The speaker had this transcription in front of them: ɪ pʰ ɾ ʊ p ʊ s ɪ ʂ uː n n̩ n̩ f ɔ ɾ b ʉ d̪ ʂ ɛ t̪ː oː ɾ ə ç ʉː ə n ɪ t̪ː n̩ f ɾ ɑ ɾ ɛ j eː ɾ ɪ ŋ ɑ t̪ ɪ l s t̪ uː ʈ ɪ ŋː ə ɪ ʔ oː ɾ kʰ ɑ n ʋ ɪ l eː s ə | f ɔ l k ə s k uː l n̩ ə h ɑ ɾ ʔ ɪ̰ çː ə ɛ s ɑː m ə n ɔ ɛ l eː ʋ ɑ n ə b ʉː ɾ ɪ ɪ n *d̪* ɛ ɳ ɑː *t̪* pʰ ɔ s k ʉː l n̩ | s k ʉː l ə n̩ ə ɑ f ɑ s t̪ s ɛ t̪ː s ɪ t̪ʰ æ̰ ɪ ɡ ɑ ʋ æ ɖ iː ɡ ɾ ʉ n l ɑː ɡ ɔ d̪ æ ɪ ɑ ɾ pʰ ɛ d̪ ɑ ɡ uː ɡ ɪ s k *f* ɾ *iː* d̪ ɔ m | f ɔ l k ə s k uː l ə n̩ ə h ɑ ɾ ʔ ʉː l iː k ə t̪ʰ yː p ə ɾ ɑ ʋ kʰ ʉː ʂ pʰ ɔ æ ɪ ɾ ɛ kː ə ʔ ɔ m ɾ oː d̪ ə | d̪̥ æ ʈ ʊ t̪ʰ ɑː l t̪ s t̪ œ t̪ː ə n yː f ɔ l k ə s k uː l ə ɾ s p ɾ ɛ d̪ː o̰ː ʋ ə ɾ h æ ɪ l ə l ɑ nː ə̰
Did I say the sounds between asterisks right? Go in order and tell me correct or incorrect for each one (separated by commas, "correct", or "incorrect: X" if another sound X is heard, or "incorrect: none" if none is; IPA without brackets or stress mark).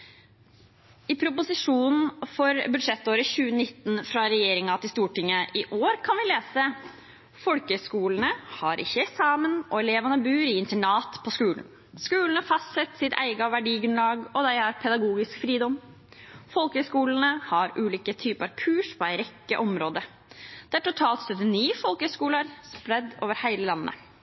incorrect: t̪, correct, correct, correct